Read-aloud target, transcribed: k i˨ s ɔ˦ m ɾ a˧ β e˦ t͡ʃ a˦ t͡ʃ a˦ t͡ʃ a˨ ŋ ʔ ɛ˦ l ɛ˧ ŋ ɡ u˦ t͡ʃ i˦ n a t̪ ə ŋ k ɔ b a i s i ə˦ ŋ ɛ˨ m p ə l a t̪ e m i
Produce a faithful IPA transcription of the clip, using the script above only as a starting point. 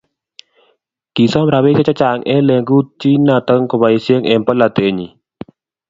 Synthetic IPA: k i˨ s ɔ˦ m ɾ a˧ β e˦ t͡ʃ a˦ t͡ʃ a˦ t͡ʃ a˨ ŋ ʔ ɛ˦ l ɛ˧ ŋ ɡ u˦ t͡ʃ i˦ n a t̪ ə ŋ k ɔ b a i s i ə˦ ŋ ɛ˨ m p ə l a t̪ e ɲ i